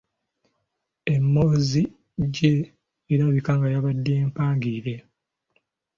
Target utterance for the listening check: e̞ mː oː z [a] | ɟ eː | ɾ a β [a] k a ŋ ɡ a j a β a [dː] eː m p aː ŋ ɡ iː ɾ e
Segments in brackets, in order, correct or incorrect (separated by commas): incorrect, incorrect, correct